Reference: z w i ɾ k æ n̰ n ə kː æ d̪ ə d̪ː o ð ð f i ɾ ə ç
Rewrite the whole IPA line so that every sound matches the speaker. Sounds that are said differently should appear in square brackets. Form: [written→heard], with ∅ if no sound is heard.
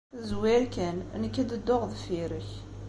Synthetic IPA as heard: z w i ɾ k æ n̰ n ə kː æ d̪ ə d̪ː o [ð→ʁ] ð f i ɾ ə ç